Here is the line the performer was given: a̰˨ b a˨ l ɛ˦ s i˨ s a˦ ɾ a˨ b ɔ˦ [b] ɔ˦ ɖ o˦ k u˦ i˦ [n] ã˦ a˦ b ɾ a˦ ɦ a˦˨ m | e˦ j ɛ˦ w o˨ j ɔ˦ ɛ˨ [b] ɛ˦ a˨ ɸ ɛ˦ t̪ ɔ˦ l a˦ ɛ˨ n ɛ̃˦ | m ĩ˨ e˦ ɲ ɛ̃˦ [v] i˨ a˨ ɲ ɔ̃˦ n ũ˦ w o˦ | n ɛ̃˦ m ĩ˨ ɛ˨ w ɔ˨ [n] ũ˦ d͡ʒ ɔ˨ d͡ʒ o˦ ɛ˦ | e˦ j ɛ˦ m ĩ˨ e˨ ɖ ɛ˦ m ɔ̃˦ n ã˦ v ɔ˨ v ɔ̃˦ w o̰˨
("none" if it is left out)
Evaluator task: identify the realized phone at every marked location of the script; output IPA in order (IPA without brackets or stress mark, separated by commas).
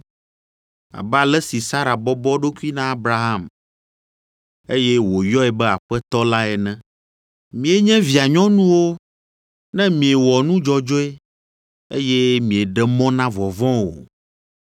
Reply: b, n, b, v, n